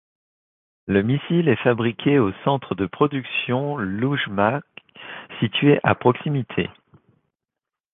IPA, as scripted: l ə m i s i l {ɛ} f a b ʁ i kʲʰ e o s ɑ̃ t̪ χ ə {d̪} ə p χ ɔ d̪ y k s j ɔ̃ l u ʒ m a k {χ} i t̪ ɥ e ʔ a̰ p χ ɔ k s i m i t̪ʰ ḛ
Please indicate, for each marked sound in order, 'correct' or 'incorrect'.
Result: correct, correct, incorrect

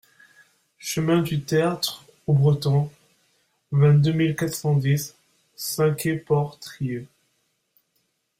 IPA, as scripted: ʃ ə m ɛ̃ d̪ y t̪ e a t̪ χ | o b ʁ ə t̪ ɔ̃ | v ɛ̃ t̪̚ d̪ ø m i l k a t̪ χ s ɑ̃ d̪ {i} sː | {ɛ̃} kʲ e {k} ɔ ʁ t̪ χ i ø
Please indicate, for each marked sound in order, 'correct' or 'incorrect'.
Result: correct, correct, incorrect

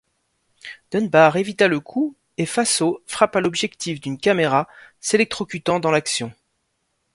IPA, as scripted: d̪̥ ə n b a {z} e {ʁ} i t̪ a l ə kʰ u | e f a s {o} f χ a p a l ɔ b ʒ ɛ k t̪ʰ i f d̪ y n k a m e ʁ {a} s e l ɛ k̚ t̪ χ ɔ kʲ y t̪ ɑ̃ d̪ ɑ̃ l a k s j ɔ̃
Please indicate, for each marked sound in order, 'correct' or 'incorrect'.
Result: incorrect, incorrect, correct, correct

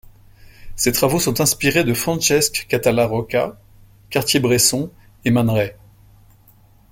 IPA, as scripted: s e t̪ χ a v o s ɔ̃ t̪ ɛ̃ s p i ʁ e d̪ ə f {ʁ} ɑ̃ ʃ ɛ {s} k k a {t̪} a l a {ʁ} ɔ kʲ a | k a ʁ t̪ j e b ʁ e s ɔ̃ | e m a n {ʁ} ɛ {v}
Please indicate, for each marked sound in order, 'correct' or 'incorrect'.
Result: incorrect, correct, correct, correct, correct, incorrect

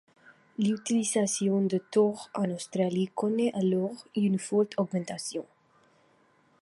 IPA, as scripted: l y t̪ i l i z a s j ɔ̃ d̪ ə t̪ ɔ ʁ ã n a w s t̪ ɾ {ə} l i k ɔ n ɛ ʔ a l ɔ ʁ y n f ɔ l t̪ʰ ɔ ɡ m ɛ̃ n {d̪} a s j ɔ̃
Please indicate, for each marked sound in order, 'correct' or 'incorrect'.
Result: incorrect, incorrect

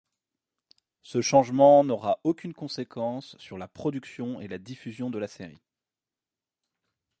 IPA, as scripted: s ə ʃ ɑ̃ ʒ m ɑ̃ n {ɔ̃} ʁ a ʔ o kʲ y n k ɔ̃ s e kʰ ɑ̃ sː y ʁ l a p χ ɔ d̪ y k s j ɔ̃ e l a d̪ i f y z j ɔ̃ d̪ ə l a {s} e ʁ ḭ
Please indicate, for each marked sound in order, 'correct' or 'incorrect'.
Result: incorrect, correct

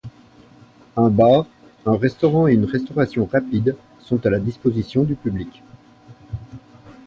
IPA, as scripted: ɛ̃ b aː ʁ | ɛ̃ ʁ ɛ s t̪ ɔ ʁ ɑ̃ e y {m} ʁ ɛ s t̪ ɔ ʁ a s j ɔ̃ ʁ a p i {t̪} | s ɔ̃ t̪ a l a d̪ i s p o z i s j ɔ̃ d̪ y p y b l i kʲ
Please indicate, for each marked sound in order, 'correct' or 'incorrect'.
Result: incorrect, incorrect

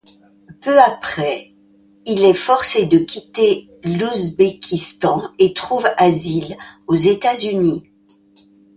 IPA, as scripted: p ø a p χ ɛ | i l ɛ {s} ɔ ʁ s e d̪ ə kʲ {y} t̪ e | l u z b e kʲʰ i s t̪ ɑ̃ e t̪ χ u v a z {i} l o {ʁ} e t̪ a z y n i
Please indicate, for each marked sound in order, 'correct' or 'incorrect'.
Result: incorrect, incorrect, correct, incorrect

